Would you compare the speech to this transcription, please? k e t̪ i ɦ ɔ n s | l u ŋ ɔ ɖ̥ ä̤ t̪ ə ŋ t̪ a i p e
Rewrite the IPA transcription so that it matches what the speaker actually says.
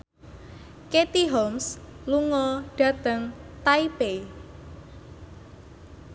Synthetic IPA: k e t̪ i ɦ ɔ m s | l u ŋ ɔ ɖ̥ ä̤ t̪ ə ŋ t̪ a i p e